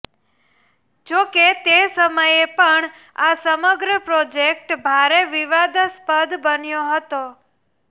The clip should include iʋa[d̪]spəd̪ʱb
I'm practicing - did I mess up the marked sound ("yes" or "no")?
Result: no